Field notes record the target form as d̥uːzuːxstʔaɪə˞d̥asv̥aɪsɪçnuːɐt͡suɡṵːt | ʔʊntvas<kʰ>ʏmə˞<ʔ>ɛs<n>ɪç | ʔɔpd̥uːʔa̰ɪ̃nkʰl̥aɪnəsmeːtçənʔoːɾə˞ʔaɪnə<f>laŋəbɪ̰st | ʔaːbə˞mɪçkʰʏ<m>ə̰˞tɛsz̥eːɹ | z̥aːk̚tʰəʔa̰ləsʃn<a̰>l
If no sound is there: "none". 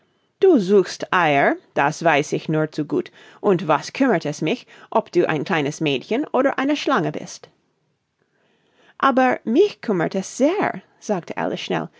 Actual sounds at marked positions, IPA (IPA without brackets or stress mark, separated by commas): kʰ, t, m, ʃ, m, ɛ̰